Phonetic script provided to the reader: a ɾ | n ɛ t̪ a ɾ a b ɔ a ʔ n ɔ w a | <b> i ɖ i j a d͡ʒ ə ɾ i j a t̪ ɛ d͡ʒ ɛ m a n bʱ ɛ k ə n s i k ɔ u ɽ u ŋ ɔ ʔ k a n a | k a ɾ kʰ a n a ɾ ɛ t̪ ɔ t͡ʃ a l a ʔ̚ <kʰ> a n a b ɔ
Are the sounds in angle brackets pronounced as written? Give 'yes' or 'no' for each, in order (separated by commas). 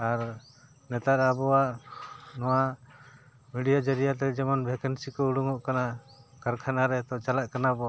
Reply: no, no